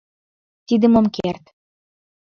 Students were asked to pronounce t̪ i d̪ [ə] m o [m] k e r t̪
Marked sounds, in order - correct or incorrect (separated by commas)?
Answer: correct, correct